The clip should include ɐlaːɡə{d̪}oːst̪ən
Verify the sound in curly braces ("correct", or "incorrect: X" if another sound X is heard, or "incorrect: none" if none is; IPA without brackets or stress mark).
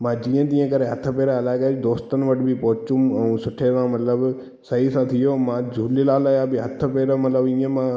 correct